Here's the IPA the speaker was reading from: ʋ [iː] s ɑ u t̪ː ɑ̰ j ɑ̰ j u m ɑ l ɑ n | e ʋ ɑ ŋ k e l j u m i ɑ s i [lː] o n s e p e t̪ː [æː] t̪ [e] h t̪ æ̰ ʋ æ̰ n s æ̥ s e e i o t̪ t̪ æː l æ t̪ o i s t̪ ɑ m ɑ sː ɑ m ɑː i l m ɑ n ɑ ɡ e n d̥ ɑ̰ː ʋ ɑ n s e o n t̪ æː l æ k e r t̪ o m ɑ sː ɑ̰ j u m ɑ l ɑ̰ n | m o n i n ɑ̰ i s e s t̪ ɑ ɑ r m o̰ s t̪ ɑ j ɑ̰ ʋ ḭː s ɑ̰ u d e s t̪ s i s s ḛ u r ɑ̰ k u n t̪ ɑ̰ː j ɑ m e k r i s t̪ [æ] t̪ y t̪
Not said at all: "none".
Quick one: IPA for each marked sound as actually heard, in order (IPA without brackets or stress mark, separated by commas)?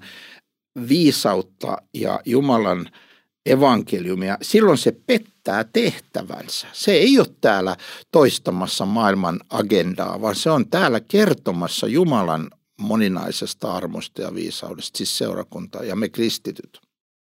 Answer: iː, lː, æː, e, i